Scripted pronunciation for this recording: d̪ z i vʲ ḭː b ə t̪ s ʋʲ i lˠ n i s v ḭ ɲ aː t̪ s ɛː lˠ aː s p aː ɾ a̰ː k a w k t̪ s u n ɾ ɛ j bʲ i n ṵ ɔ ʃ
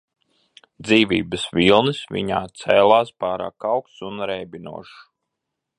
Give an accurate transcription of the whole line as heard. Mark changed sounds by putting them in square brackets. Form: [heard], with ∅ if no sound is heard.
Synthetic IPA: d̪ z [iː] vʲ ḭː b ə [∅] s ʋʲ i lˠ n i s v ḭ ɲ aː t̪ s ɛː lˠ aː s p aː ɾ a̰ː k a w k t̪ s u n ɾ ɛ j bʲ i n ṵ ɔ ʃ